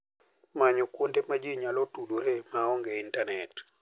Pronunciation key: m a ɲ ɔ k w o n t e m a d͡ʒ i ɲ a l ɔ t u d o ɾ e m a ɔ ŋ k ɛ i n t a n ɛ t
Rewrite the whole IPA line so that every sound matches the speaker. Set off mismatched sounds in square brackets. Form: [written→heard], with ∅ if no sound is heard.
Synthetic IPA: m a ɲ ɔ k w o n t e m a d͡ʒ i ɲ a l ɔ t u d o ɾ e m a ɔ ŋ [k→ɡ] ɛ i n t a n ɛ t